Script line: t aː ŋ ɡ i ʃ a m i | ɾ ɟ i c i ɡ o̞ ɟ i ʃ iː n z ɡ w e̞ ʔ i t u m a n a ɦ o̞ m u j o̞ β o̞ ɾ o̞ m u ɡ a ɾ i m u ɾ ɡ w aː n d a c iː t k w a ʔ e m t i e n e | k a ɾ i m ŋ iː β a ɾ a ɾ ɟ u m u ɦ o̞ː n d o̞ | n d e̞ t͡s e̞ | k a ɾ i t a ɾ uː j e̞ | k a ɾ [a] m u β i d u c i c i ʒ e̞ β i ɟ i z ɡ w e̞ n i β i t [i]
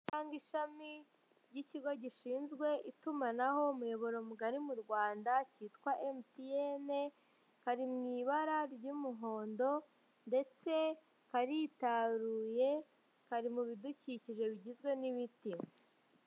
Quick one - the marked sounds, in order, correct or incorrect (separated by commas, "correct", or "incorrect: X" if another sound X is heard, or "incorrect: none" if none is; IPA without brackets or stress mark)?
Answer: incorrect: i, correct